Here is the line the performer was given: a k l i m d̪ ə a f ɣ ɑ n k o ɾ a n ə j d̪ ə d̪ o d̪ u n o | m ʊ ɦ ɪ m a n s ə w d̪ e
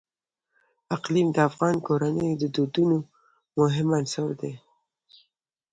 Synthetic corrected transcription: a q l i m d̪ ə a f ɣ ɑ n k o ɾ a n ə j d̪ ə d̪ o d̪ u n o | m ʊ ɦ ɪ m a n s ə w d̪ e